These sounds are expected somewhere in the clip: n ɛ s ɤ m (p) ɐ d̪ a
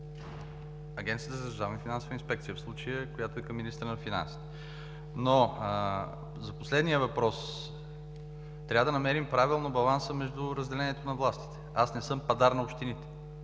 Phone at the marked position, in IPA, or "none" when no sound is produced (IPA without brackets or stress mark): p